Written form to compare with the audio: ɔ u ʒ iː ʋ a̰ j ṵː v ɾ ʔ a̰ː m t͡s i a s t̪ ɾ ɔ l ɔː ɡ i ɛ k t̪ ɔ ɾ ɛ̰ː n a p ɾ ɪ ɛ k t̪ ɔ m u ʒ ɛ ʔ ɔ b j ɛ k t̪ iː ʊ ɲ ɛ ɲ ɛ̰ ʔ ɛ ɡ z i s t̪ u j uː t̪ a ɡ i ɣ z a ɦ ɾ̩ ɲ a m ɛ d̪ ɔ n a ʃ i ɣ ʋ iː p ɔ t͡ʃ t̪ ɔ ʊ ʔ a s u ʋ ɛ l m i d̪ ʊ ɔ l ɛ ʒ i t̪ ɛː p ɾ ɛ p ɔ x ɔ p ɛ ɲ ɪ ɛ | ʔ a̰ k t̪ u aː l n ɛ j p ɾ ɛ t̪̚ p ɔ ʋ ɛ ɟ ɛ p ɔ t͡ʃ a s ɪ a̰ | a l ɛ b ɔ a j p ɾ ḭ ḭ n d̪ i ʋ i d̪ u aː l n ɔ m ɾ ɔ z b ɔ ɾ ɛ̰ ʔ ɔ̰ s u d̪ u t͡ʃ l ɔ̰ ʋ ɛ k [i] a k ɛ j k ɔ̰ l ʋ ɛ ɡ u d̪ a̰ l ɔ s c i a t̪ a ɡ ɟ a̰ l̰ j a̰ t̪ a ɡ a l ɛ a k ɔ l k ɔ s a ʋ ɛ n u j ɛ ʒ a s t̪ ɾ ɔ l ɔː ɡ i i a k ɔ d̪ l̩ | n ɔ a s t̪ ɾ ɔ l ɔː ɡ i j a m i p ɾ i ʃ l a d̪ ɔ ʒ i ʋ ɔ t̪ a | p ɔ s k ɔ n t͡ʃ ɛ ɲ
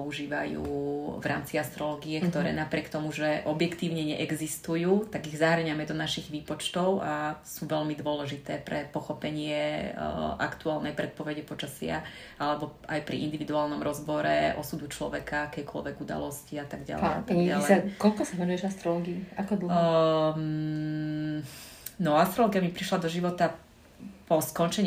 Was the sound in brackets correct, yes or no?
no